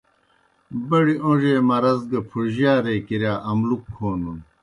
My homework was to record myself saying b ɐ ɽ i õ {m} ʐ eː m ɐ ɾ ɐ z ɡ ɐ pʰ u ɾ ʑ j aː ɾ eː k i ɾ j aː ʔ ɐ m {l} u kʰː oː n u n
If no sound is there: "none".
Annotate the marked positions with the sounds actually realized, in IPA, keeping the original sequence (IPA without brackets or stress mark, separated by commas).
none, l